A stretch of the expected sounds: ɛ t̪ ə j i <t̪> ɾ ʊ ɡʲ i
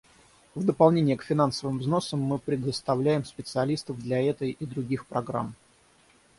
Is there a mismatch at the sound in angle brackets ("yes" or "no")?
yes